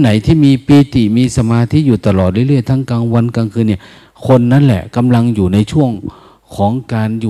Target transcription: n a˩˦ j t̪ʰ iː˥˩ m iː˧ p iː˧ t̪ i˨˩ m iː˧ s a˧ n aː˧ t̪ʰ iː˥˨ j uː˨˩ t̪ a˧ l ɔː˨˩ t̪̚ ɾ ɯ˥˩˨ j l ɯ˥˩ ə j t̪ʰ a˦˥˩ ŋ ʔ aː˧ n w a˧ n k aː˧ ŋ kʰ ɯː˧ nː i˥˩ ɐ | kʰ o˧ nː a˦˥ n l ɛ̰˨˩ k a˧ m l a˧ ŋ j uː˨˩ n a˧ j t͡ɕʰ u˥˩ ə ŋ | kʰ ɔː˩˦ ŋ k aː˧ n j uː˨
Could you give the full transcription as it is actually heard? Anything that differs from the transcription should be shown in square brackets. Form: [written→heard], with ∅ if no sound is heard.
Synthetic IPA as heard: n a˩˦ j t̪ʰ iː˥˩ m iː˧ p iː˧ t̪ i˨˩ m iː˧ s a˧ [n→m] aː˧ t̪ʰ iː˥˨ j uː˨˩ t̪ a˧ l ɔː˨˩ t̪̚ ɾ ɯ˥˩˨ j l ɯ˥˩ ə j t̪ʰ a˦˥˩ ŋ [ʔ→k] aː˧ [n→ŋ] w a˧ n k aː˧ ŋ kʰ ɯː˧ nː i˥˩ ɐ | kʰ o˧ nː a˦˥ n l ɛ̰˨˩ k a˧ m l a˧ ŋ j uː˨˩ n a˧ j t͡ɕʰ u˥˩ ə ŋ | kʰ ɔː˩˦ ŋ k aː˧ n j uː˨